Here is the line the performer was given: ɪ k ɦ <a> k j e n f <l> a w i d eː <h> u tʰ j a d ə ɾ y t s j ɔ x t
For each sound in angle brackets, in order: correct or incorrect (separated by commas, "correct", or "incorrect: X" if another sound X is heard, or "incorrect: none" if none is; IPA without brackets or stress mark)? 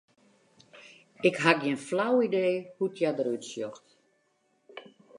correct, correct, correct